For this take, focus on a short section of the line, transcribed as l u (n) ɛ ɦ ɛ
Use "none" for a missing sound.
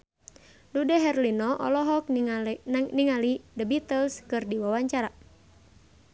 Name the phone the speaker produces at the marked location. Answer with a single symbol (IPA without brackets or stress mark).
d